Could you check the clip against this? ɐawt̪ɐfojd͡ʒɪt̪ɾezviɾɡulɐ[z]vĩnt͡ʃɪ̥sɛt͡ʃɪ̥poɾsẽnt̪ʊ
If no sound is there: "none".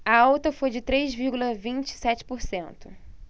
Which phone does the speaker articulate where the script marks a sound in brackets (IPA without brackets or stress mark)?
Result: none